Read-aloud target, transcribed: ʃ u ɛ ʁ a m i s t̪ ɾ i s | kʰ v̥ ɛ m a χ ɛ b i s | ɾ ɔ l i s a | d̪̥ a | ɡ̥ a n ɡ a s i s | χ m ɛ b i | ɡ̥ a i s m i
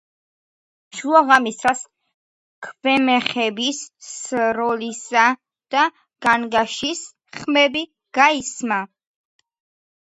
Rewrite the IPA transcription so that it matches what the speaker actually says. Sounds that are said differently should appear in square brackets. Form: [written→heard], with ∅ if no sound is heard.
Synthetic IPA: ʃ u [ɛ→a] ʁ a m i s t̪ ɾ [i→a] s | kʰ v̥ ɛ m [a→ɛ] χ ɛ b i s | ɾ ɔ l i s a | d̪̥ a | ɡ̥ a n ɡ a [s→ʃ] i s | χ m ɛ b i | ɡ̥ a i s m [i→a]